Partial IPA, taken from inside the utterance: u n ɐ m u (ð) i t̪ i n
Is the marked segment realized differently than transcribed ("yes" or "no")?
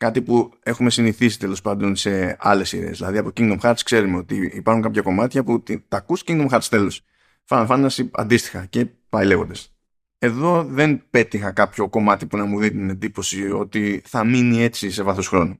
no